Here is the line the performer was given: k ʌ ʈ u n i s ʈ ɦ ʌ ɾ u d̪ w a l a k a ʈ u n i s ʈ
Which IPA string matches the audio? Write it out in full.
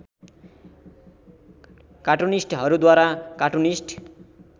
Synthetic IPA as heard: k a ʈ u n i s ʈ ɦ ʌ ɾ u d̪ w a ɾ a k a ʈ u n i s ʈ